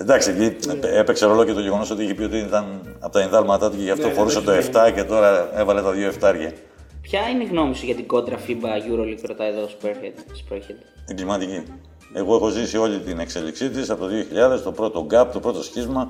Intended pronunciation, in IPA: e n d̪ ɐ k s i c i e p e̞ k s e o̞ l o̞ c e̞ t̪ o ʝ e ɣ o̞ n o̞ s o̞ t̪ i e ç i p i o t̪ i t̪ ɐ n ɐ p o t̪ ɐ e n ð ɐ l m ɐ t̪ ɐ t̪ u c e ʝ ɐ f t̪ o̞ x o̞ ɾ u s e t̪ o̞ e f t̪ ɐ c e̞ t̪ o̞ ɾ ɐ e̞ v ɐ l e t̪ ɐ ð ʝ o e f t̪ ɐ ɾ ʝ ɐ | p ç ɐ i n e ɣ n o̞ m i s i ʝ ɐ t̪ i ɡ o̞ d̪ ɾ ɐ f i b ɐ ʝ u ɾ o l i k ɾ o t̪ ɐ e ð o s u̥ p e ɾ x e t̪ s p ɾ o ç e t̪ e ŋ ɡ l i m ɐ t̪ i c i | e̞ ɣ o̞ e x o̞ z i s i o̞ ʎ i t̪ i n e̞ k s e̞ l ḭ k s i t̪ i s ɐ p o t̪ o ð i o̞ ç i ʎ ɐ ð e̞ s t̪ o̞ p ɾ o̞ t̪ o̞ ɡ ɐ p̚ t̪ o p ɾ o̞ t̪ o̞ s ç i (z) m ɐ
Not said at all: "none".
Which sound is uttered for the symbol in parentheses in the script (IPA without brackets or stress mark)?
z